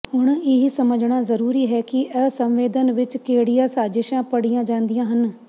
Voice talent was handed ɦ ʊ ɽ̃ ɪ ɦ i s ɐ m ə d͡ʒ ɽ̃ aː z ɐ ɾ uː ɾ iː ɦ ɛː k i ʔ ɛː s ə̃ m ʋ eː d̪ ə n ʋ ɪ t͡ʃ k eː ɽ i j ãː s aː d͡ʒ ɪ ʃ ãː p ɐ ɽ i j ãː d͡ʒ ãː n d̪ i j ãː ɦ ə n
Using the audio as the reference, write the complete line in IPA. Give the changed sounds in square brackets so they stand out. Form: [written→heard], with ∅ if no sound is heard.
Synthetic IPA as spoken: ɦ ʊ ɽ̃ ɪ ɦ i s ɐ m ə d͡ʒ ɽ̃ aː z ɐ ɾ uː ɾ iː ɦ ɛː k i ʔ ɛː s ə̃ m ʋ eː d̪ ə n ʋ ɪ t͡ʃ k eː ɽ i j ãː s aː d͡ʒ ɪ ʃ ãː p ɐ ɽ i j ãː d͡ʒ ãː n d̪ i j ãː ɦ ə n